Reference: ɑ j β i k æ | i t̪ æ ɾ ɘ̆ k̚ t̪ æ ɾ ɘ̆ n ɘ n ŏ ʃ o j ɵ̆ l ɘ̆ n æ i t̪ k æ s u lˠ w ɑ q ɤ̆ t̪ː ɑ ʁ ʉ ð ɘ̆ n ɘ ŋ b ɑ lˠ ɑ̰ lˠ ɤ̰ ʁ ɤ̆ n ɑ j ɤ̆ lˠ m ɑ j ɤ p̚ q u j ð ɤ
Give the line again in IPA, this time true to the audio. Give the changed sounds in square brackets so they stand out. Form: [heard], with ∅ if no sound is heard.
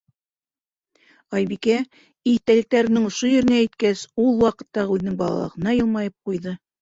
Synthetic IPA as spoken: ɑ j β i k æ | i t̪ æ [l] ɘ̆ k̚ t̪ æ ɾ ɘ̆ n ɘ [ŋ] ŏ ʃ o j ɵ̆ [ɾ] ɘ̆ n æ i t̪ k æ s u lˠ w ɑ q ɤ̆ t̪ː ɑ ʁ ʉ ð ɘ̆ n ɘ ŋ b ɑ lˠ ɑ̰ lˠ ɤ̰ ʁ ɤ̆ n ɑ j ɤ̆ lˠ m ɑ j ɤ p̚ q u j ð ɤ